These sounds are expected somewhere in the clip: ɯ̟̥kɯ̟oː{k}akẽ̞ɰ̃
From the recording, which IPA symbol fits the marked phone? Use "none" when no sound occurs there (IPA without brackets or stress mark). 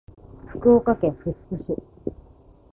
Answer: k